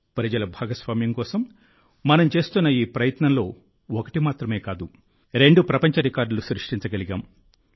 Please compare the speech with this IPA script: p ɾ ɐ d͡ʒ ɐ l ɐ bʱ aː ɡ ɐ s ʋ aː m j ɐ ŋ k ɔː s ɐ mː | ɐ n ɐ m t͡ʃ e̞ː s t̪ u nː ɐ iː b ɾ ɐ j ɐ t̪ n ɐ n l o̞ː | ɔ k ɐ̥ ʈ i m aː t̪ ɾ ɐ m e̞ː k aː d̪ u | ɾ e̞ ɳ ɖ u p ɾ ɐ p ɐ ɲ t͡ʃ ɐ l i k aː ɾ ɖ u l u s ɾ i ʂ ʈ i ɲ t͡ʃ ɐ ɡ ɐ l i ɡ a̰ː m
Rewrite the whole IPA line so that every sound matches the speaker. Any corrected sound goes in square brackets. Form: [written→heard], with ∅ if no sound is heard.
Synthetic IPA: p ɾ ɐ d͡ʒ ɐ l ɐ bʱ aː ɡ ɐ s ʋ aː m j ɐ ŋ k ɔː s ɐ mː | ɐ n ɐ m t͡ʃ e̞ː s t̪ u nː ɐ iː [b→p] ɾ ɐ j ɐ t̪ n ɐ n l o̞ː | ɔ k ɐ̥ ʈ i m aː t̪ ɾ ɐ m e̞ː k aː d̪ u | ɾ e̞ ɳ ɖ u p ɾ ɐ p ɐ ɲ t͡ʃ ɐ [l→ɾ] i k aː ɾ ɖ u l u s ɾ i ʂ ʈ i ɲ t͡ʃ ɐ ɡ ɐ l i ɡ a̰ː m